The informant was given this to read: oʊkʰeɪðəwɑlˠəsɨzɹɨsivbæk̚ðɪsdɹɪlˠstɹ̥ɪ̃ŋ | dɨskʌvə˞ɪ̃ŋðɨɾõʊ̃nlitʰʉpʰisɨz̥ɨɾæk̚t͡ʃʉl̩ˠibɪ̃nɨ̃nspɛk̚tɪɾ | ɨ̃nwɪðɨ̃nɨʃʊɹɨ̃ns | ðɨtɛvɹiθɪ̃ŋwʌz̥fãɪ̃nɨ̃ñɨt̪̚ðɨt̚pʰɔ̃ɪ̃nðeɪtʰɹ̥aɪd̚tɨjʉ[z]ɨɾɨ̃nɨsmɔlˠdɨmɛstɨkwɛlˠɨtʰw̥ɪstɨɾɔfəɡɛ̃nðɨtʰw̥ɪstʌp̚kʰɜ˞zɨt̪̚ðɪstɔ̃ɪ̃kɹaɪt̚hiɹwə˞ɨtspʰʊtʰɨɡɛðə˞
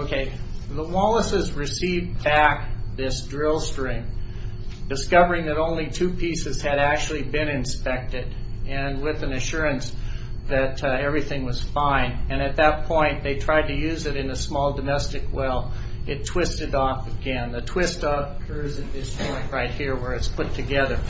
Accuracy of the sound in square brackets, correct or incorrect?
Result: correct